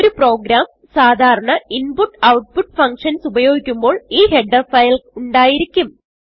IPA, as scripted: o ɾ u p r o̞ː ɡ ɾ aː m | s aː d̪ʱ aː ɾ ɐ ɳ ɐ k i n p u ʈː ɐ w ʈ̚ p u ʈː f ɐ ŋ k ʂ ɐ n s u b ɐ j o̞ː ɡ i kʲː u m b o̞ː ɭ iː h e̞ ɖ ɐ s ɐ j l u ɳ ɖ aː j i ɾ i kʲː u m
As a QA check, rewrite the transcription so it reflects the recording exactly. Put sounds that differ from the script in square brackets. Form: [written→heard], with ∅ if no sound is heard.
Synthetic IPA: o ɾ u p r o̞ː ɡ ɾ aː m | s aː d̪ʱ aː ɾ ɐ ɳ ɐ [k→∅] i n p u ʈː ɐ w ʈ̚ p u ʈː f ɐ ŋ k ʂ ɐ n s u b ɐ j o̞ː ɡ i kʲː u m b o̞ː ɭ iː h e̞ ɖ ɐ [s→f] ɐ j l u ɳ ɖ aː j i ɾ i kʲː u m